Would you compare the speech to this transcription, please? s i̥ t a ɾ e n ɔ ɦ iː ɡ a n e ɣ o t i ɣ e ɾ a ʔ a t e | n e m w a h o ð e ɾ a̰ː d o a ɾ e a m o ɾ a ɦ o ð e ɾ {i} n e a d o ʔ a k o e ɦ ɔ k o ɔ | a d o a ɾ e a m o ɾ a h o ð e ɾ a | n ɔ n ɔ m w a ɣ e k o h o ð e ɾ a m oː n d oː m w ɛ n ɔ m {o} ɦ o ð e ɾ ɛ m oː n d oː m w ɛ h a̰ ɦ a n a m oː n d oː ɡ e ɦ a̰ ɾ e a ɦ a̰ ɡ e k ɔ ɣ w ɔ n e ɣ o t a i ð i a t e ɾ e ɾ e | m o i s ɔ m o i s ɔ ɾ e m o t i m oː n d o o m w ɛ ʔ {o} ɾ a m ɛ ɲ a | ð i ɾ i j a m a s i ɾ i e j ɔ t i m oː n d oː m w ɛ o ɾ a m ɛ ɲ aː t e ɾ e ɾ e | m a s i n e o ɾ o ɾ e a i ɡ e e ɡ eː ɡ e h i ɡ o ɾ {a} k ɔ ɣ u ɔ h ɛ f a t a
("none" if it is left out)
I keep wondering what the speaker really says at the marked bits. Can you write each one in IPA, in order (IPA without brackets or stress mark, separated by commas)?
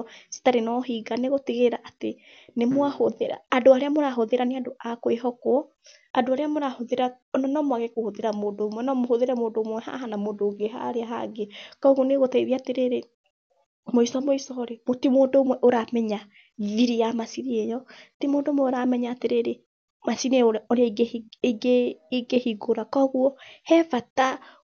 a, o, o, a